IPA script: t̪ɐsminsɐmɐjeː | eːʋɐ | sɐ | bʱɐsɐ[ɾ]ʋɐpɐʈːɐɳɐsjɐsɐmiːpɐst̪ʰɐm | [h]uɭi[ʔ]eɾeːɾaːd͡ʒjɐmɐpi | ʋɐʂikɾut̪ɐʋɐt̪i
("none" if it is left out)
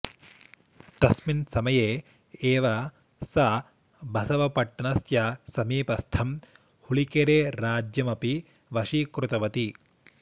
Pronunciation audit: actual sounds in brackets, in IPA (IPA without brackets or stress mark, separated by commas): none, h, k